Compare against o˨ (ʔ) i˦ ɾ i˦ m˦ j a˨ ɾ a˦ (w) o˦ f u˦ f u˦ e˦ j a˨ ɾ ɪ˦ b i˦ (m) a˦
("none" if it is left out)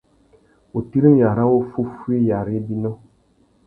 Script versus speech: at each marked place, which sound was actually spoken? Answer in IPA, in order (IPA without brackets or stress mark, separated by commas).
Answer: t, w, n